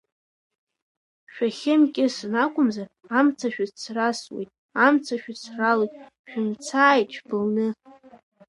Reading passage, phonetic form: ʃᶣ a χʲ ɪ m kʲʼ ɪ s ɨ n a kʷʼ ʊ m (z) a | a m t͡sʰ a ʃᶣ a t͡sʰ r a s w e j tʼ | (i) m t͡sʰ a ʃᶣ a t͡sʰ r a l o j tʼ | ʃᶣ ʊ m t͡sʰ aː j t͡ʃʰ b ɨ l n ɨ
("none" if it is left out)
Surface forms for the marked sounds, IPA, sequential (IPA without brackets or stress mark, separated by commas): z, a